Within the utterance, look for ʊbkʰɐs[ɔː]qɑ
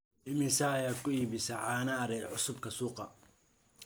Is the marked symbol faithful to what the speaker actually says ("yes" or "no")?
no